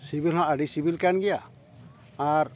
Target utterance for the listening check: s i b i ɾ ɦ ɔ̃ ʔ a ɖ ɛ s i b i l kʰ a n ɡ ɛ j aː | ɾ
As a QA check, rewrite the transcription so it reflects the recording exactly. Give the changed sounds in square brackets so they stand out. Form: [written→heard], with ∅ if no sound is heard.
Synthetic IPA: s i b i [ɾ→l] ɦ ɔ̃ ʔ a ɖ [ɛ→i] s i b i l [kʰ→k] a n ɡ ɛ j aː | ɾ